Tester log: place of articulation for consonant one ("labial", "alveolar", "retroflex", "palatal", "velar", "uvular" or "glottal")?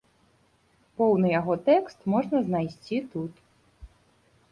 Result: labial